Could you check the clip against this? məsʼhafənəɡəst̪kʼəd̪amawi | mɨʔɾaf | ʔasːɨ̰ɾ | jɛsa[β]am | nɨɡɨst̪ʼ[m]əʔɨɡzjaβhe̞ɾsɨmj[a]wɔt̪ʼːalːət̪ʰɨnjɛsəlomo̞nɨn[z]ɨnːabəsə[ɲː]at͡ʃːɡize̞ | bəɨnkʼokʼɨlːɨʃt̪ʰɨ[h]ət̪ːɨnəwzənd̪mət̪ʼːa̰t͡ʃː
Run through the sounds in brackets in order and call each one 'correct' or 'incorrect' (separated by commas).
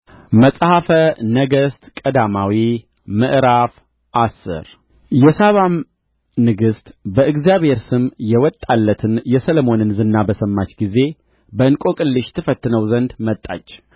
correct, incorrect, incorrect, correct, incorrect, incorrect